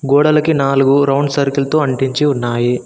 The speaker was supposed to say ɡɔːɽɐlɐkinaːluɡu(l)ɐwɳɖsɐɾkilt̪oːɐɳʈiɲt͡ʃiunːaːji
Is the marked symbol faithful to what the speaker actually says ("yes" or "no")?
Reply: no